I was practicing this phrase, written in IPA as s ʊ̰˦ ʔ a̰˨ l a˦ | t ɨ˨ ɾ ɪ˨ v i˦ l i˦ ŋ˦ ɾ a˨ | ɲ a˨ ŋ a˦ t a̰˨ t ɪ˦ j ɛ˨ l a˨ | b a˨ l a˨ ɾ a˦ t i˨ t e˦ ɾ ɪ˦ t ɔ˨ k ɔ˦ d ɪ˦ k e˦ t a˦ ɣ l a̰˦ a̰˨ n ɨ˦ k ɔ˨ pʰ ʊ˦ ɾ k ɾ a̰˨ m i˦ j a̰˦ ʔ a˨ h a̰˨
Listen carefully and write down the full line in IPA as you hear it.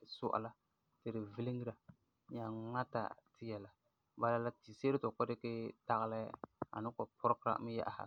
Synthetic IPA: s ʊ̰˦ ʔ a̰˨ l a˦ | t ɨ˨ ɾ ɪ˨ v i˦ l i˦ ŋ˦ ɾ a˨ | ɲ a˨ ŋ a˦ t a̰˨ t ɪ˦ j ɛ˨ l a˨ | b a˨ l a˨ l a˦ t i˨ s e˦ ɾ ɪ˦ t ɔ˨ k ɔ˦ d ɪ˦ k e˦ t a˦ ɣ l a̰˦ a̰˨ n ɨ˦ k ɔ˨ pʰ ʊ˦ ɾ k ɾ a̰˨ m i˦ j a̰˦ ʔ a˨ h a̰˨